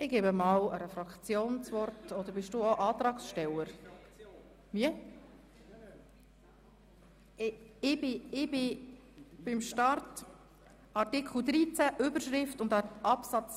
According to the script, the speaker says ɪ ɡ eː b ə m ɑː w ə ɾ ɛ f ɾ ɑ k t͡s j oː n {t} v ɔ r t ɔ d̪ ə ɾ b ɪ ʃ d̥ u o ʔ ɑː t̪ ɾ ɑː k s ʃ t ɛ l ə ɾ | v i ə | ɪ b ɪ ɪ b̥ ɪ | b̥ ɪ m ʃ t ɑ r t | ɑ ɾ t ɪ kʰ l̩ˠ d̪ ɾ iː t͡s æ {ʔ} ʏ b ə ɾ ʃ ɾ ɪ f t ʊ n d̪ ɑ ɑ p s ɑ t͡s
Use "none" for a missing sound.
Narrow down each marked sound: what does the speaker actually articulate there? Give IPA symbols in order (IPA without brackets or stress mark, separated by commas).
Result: t͡s, ʔ